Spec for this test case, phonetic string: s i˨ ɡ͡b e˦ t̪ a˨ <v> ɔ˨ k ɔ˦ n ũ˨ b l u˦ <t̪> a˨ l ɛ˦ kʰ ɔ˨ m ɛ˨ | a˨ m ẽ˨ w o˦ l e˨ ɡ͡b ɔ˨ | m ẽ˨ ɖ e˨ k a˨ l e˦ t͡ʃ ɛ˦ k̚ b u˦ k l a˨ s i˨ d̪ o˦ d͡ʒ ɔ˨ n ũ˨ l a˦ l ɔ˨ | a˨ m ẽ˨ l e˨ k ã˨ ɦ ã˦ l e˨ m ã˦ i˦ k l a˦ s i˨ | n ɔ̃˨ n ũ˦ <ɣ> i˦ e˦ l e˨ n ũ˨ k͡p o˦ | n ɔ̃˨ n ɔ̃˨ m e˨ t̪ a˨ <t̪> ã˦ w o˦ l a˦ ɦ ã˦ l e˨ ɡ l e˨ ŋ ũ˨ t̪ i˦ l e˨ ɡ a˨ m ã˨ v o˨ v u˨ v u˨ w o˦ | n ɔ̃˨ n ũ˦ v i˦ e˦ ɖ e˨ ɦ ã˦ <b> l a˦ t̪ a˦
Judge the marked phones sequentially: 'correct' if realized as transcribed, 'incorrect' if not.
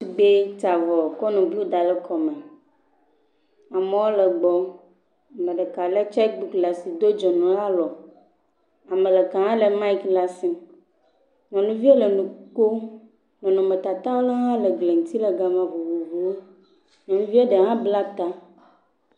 correct, incorrect, incorrect, correct, correct

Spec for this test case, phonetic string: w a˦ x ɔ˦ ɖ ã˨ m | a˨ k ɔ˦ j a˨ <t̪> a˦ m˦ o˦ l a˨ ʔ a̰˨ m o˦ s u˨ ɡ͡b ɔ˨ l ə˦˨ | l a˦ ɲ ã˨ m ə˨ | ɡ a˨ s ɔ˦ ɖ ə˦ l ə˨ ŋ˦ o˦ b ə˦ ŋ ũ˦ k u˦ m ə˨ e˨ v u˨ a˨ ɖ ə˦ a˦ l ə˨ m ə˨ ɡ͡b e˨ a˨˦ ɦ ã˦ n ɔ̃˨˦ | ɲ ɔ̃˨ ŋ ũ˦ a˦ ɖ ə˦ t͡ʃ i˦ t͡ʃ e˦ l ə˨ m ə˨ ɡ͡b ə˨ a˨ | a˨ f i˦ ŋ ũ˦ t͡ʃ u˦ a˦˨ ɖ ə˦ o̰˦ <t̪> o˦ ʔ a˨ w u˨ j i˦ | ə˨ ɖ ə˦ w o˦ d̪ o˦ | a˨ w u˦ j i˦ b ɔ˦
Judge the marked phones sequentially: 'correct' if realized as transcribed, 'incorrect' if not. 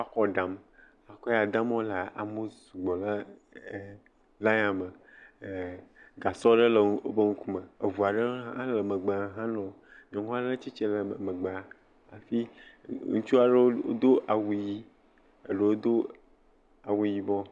incorrect, incorrect

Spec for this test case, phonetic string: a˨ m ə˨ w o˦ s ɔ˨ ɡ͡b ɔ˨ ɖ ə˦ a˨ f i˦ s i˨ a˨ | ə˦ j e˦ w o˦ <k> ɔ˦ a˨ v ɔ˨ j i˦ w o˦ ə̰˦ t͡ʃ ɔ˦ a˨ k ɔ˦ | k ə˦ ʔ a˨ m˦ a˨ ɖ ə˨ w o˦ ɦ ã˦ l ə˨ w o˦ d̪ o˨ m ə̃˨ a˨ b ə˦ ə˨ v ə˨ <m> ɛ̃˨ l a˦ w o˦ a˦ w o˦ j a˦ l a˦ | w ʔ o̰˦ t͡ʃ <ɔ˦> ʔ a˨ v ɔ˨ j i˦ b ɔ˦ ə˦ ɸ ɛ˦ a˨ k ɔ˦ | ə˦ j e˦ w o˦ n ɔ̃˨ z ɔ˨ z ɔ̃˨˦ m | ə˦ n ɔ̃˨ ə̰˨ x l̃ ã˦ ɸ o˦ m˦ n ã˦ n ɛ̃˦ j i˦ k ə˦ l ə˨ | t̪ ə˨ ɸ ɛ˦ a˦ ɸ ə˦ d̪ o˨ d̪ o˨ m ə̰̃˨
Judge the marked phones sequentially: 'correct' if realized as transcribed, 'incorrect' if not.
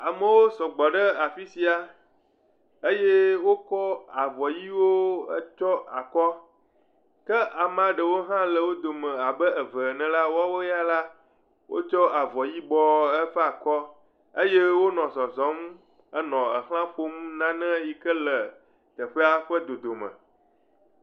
correct, incorrect, correct

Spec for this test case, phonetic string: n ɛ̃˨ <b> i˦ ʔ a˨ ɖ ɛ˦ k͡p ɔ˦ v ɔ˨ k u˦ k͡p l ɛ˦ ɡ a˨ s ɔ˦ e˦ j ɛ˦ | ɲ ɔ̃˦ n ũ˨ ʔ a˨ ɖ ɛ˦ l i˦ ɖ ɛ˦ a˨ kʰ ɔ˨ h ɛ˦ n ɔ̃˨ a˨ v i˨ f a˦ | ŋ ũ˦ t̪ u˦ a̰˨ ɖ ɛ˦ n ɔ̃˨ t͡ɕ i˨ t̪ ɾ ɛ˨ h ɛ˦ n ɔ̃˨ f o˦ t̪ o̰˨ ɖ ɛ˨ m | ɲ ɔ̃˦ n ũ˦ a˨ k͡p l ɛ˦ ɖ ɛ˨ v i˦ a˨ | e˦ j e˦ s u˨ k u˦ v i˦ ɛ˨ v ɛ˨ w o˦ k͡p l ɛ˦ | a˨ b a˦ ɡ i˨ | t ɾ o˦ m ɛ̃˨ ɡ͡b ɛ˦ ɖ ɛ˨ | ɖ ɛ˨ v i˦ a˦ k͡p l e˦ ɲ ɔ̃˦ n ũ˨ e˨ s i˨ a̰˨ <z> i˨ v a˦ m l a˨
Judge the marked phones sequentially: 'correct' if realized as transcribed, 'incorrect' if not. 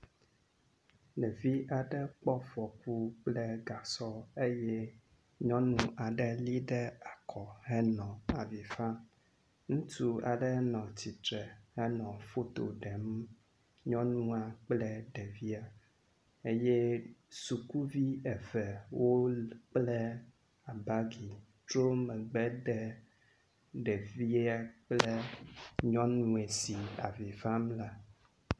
incorrect, incorrect

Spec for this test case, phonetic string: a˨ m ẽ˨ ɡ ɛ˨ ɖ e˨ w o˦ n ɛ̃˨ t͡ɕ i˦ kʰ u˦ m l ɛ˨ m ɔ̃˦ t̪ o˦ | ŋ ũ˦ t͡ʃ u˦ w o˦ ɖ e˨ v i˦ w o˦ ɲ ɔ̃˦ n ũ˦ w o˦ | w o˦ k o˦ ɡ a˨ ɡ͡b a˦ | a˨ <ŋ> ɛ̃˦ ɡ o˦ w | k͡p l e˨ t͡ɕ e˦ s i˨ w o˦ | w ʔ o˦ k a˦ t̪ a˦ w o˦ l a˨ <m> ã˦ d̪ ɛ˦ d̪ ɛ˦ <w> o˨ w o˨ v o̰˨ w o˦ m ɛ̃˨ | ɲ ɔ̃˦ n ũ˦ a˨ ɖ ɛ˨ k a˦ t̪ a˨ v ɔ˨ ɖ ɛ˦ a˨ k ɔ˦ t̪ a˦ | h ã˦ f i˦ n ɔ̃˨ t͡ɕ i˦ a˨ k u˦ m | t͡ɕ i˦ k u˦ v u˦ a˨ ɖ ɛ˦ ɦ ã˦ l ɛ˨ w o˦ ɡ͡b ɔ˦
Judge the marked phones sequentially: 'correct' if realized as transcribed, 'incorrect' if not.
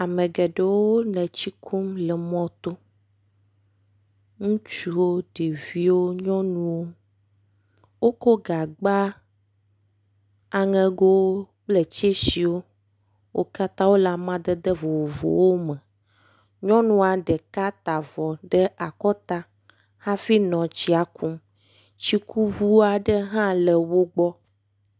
correct, correct, incorrect

